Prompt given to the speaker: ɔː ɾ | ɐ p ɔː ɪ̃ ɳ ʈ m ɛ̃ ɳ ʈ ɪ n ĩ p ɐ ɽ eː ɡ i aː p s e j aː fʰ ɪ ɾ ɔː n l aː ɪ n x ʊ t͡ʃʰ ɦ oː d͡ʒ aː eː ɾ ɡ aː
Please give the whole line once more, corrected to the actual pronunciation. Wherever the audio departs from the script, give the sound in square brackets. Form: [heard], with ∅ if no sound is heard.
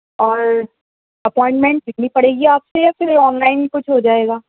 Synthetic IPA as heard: ɔː ɾ | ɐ p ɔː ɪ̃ ɳ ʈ m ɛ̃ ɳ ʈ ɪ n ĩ p ɐ ɽ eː ɡ i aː p s e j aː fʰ ɪ ɾ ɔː n l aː ɪ n [k] ʊ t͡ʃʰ ɦ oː d͡ʒ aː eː [∅] ɡ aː